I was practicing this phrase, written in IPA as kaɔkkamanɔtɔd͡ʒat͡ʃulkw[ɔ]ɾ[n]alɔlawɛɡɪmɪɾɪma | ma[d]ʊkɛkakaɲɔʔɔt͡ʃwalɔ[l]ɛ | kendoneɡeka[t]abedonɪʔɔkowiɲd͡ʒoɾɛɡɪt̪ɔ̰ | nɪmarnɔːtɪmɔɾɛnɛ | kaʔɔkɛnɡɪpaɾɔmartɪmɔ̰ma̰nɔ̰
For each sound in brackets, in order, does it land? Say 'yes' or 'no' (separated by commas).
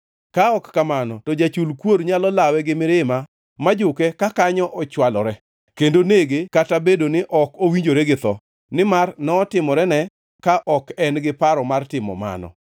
no, no, no, no, yes